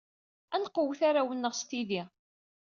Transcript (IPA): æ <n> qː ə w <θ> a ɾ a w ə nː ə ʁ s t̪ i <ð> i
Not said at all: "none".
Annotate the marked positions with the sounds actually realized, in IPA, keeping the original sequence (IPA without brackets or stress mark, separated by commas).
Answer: n, θ, ð